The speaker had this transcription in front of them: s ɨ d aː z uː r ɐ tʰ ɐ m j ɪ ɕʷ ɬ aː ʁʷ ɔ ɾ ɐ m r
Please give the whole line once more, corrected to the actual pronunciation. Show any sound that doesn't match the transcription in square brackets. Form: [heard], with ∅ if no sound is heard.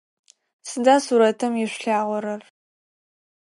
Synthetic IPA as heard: s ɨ d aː [s] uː [ɾ] ɐ tʰ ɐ m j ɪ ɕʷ ɬ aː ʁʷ ɔ ɾ ɐ [∅] r